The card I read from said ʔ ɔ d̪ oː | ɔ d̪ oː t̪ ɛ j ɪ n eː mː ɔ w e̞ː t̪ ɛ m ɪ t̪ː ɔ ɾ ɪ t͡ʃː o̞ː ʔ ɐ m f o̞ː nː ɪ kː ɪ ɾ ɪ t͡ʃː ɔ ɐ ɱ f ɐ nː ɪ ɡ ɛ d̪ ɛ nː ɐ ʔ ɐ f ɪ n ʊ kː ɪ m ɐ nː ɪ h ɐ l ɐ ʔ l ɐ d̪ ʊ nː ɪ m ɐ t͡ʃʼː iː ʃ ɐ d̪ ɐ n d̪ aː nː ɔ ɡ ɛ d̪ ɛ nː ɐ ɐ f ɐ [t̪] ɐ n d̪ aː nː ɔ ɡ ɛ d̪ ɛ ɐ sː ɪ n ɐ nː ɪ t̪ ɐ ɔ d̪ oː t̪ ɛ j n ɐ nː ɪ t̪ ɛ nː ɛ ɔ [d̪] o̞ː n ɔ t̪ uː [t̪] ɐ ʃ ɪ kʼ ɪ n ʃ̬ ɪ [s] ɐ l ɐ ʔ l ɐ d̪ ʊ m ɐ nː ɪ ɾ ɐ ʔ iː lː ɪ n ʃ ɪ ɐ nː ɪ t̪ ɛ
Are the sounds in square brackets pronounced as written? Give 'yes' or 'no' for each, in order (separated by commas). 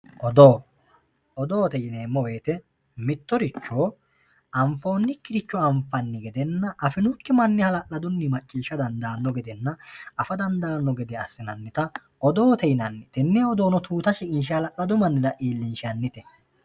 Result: no, yes, yes, no